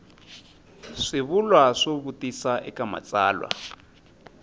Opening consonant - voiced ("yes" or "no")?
no